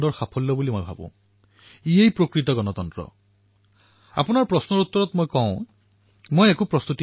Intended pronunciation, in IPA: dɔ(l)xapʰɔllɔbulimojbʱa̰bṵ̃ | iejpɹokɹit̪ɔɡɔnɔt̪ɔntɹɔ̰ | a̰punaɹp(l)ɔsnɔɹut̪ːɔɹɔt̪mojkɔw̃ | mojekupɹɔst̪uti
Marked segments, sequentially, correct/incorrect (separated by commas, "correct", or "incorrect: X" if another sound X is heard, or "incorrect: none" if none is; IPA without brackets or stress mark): incorrect: ɹ, incorrect: ɹ